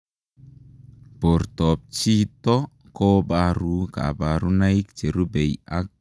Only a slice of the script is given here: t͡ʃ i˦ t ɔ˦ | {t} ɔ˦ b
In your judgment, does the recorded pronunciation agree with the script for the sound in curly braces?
no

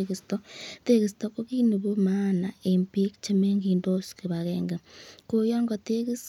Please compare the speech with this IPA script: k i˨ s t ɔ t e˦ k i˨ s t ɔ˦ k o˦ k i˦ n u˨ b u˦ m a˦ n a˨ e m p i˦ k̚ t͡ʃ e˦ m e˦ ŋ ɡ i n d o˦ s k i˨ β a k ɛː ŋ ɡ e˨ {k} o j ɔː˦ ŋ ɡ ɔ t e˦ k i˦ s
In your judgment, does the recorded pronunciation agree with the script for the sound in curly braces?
yes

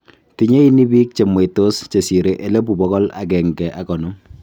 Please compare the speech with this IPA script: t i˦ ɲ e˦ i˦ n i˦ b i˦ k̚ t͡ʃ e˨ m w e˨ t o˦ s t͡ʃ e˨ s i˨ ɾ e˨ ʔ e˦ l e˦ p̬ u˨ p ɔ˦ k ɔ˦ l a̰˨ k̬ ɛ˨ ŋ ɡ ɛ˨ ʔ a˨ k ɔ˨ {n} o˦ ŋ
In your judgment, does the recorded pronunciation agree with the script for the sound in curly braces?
yes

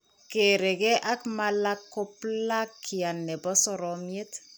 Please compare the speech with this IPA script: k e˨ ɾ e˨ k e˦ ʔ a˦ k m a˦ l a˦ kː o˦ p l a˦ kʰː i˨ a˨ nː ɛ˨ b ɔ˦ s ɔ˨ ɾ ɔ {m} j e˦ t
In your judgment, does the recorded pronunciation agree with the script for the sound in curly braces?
yes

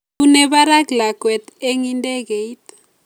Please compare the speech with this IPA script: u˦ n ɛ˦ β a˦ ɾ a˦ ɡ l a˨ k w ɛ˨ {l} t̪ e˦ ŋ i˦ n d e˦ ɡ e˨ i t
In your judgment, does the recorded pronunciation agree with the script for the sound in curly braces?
no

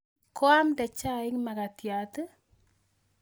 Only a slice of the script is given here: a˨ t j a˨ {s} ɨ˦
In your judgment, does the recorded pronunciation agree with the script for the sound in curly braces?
no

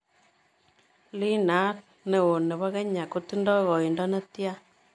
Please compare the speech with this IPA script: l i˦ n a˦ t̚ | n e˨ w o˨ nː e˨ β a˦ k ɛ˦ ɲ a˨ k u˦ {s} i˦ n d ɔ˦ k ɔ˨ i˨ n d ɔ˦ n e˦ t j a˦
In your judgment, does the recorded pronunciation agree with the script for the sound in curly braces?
no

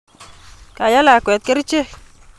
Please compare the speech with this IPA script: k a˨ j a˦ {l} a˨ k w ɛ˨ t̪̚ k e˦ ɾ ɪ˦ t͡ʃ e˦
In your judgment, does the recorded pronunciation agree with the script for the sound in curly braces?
yes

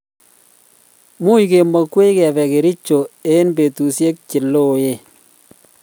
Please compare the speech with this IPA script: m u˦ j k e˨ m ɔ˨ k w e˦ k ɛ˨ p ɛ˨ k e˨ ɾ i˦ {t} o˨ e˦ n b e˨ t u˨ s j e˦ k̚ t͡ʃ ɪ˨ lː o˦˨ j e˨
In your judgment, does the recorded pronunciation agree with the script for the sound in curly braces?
no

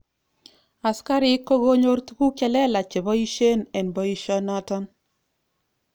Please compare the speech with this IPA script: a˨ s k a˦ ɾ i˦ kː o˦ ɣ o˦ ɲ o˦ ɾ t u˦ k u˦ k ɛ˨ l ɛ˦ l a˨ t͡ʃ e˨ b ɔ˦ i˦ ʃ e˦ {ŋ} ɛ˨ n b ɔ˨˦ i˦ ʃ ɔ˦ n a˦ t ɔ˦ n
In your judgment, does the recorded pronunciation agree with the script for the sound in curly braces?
no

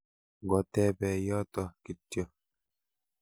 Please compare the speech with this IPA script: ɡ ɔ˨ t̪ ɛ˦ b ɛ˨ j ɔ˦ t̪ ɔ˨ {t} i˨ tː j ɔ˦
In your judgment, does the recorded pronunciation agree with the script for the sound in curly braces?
no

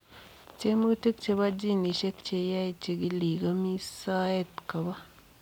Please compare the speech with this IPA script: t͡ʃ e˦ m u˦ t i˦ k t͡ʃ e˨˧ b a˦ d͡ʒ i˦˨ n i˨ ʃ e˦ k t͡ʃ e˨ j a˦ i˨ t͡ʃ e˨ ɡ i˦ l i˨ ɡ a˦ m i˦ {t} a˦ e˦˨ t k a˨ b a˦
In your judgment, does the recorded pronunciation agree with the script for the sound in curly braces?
no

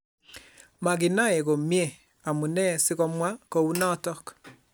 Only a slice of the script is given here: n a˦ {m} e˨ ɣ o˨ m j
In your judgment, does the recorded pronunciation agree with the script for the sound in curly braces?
no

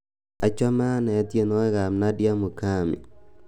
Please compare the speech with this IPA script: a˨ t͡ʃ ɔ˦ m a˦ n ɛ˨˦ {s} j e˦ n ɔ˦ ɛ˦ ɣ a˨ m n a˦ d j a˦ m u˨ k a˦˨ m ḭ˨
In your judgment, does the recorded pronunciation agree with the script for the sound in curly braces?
no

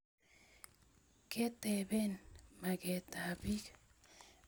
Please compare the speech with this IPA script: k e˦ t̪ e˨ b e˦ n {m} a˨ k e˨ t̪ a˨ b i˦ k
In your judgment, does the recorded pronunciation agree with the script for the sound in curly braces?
yes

